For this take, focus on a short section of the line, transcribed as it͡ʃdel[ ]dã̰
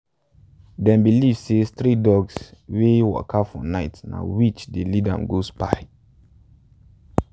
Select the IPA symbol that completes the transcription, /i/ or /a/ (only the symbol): i